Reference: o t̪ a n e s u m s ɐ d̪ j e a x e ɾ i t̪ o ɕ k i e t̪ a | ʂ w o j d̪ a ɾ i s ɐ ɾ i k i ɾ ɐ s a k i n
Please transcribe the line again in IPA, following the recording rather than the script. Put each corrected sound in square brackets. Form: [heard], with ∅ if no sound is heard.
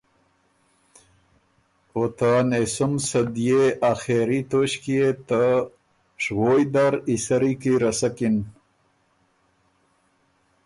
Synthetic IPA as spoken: o t̪ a n e s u m s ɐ d̪ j e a x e ɾ i t̪ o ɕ k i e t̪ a | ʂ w o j d̪ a ɾ i s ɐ ɾ i k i ɾ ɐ s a k i n

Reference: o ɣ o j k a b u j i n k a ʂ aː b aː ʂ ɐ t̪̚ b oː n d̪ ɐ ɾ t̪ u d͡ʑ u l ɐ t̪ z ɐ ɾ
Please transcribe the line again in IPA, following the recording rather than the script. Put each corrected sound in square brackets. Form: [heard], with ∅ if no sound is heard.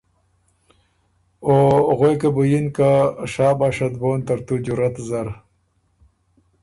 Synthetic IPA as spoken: o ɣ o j k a b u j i n k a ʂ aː b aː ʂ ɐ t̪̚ b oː n [t̪] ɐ ɾ t̪ u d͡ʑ u [ɾ] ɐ t̪ z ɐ ɾ

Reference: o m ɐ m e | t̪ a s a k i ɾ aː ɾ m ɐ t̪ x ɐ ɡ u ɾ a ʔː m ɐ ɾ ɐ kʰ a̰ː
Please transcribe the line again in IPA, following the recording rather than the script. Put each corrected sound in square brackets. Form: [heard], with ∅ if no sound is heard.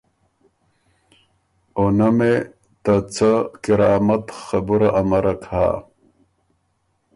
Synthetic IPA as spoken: o [n] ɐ m e | t̪ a [t͡s] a k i ɾ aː [∅] m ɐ t̪ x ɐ [b] u ɾ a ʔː m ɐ ɾ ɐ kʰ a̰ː

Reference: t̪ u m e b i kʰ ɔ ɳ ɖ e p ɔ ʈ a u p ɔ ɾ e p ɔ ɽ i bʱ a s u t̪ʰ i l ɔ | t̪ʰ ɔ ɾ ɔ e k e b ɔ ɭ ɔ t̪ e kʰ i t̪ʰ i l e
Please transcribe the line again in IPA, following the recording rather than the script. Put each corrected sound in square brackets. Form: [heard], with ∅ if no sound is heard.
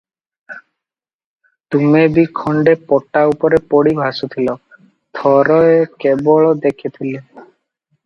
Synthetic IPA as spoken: t̪ u m e b i kʰ ɔ ɳ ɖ e p ɔ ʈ a u p ɔ ɾ e p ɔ ɽ i bʱ a s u t̪ʰ i l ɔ | t̪ʰ ɔ ɾ ɔ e k e b ɔ ɭ ɔ [d̪] e kʰ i t̪ʰ i l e

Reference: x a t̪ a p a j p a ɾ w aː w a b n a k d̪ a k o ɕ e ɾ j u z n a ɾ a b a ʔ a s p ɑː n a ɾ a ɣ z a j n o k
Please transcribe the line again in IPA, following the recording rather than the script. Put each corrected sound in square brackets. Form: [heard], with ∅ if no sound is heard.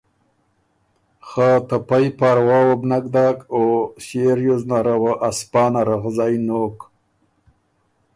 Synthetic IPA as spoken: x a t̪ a p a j p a ɾ w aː w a b n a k d̪ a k o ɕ e ɾ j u z n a ɾ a [w] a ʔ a s p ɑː n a ɾ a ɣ z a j n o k

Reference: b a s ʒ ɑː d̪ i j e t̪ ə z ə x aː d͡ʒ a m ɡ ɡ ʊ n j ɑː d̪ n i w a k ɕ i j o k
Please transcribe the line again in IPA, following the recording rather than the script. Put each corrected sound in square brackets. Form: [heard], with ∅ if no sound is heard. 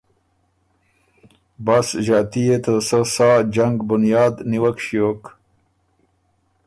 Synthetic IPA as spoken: b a s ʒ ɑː [t̪] i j e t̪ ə [s] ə [s] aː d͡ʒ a [ŋ] ɡ [b] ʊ n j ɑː d̪ n i w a k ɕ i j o k

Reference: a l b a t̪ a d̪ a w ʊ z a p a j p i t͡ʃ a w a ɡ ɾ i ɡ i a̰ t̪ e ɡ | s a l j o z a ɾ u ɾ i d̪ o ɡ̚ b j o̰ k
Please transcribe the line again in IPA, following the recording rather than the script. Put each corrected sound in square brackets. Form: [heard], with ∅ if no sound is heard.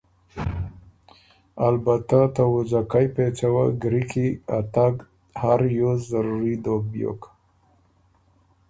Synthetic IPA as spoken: a l b a t̪ a [t̪] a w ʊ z a [k] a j p [e] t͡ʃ a w a ɡ ɾ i [k] i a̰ t̪ [a] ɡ | [h] a [ɾ] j o z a ɾ u ɾ i d̪ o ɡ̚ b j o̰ k

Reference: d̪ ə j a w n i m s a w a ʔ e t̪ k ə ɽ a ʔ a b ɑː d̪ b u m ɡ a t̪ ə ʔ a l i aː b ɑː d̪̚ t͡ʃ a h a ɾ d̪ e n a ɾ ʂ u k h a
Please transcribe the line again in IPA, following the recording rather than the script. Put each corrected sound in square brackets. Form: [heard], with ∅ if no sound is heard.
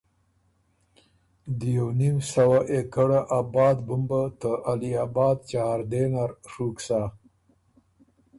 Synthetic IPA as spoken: d̪ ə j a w n i m s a w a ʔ e [∅] k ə ɽ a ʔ a b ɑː d̪ b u m [b] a t̪ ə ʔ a l i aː b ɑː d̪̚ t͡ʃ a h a ɾ d̪ e n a ɾ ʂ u k [s] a

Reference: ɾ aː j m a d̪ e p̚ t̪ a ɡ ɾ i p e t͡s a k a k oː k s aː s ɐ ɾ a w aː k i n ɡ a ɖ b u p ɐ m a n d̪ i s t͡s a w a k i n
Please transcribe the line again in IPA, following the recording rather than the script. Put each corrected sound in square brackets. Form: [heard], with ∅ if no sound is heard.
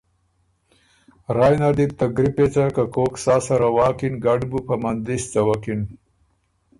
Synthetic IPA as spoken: ɾ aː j [n] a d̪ [i] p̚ t̪ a ɡ ɾ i p e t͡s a k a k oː k s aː s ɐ ɾ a w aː k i n ɡ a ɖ b u p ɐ m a n d̪ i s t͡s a w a k i n

